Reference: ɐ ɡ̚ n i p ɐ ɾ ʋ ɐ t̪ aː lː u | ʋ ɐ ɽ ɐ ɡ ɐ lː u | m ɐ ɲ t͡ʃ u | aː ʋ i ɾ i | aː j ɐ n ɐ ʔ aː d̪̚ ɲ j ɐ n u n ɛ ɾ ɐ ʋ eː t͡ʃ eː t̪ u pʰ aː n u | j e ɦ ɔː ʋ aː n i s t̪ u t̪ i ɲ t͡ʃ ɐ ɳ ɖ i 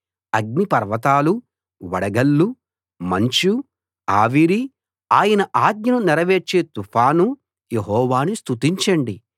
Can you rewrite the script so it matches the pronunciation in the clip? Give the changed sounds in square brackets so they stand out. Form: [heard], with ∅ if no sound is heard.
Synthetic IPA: ɐ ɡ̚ n i p ɐ ɾ ʋ ɐ t̪ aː [l] u | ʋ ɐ ɽ ɐ ɡ ɐ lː u | m ɐ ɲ t͡ʃ u | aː ʋ i ɾ i | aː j ɐ n ɐ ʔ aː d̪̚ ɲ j ɐ n u n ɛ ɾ ɐ ʋ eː t͡ʃ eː t̪ u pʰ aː n u | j e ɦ ɔː ʋ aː n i s t̪ u t̪ i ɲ t͡ʃ ɐ ɳ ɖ i